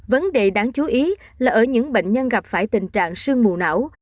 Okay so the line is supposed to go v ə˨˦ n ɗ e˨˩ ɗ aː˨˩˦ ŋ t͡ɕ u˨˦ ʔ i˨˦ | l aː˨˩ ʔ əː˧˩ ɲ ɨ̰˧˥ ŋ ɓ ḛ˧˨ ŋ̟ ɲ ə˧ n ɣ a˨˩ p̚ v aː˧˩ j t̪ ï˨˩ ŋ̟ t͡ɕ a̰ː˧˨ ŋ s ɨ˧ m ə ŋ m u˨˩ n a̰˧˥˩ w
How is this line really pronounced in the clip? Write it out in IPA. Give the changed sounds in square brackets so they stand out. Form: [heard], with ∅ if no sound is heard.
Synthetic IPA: v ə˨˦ n ɗ e˨˩ ɗ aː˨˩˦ ŋ t͡ɕ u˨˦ ʔ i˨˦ | l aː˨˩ ʔ əː˧˩ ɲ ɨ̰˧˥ ŋ ɓ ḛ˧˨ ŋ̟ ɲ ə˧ n ɣ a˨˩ p̚ [f] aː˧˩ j t̪ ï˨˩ ŋ̟ t͡ɕ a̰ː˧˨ ŋ s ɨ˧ [∅] ə ŋ m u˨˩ n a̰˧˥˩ w